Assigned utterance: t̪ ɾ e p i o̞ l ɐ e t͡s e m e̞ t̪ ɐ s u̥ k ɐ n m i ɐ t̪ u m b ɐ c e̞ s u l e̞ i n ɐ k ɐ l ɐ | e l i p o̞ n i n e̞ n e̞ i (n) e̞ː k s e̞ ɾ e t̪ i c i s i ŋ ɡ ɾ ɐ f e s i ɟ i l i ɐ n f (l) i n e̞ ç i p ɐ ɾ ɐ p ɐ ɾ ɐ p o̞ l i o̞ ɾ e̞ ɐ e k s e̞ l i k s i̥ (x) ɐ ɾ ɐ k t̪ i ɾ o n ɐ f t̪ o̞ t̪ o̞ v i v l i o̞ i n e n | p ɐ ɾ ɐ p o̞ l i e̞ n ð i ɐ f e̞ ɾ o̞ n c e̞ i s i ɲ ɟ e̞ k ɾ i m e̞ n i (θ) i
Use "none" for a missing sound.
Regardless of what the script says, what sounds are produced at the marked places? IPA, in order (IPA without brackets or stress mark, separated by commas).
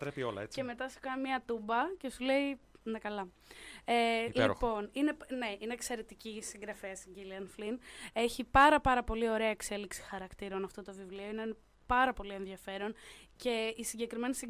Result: n, l, x, s